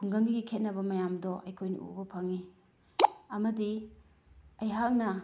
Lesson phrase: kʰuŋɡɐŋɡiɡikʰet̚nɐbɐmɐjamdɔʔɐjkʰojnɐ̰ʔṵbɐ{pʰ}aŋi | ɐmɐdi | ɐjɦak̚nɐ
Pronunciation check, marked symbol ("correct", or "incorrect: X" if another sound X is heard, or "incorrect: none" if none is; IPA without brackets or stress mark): correct